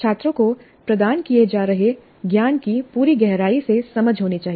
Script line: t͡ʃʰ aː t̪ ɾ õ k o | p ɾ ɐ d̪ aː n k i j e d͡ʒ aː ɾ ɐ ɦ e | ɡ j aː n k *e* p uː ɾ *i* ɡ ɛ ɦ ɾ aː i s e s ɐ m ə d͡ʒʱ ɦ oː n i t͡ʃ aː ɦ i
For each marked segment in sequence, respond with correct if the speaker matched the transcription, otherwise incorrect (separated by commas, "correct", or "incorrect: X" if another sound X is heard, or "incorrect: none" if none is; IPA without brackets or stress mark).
incorrect: i, correct